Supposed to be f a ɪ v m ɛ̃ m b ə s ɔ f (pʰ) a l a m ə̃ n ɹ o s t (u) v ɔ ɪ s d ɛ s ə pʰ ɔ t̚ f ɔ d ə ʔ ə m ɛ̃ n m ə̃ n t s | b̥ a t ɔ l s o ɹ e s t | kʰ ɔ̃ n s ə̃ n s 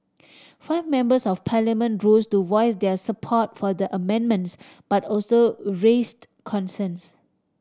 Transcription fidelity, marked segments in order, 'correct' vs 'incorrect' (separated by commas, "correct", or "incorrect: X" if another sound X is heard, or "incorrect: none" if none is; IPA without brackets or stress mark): correct, correct